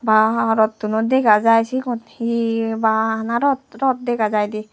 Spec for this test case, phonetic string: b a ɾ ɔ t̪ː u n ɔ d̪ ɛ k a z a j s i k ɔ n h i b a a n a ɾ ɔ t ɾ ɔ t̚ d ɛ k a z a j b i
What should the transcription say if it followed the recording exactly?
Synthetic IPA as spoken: b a ɾ ɔ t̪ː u n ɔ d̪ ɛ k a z a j s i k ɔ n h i b a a n a ɾ ɔ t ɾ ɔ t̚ d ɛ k a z a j d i